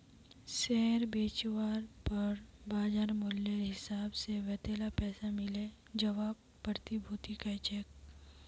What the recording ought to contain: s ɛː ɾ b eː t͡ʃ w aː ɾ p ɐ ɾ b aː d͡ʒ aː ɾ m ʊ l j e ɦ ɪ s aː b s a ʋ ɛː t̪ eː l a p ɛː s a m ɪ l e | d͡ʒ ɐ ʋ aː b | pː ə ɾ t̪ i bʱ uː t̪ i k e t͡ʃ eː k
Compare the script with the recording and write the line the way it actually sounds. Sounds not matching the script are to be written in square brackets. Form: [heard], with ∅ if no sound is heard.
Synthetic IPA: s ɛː ɾ b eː t͡ʃ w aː ɾ p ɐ ɾ b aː d͡ʒ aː ɾ m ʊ l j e ɦ ɪ s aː b s [e] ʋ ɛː t̪ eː l a p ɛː s a m ɪ l e | d͡ʒ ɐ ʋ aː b | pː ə ɾ t̪ i bʱ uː t̪ i k [a] t͡ʃ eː k